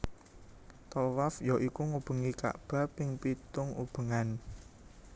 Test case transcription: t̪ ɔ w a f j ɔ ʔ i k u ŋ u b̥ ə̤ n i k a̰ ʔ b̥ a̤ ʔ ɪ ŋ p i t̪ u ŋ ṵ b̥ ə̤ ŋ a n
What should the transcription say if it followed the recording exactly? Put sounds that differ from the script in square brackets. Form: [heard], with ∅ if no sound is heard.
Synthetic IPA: t̪ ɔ w a f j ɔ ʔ i k u ŋ u b̥ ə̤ [ŋ] i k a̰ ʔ b̥ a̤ [p] ɪ ŋ p i t̪ [ʊ] ŋ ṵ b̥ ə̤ ŋ a n